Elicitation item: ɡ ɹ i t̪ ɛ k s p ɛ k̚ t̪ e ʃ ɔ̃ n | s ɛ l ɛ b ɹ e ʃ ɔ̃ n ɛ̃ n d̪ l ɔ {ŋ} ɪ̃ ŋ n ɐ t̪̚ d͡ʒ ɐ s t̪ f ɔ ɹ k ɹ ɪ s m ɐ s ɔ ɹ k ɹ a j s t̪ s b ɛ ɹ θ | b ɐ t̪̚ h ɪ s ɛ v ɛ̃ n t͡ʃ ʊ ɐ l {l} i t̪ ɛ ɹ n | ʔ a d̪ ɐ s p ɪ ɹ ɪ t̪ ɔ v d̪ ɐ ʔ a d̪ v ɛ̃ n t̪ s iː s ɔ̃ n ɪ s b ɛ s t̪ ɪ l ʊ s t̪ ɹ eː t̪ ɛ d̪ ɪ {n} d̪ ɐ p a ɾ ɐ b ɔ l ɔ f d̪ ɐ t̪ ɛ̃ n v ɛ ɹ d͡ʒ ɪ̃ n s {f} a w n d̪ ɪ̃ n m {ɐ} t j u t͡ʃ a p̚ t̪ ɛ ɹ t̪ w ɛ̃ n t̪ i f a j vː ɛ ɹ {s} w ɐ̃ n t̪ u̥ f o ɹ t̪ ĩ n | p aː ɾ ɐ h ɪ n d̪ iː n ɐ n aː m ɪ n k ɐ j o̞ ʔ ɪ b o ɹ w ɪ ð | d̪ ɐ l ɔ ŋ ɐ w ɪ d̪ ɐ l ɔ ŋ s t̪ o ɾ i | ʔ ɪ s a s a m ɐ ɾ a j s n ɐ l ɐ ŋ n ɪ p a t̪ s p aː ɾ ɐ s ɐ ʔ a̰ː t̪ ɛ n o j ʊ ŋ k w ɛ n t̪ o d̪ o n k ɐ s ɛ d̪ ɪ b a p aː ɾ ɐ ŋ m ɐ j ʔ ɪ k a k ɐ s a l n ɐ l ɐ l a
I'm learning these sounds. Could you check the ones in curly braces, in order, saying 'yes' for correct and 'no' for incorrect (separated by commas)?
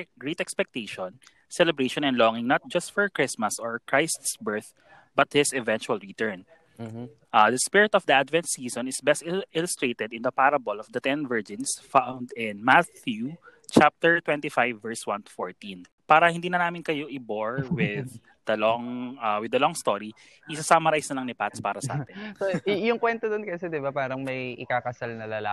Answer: yes, no, yes, yes, no, yes